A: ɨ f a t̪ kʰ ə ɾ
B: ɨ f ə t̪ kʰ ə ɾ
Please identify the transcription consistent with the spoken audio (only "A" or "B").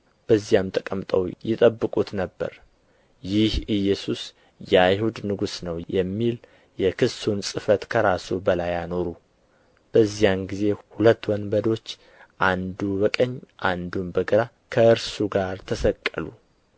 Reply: B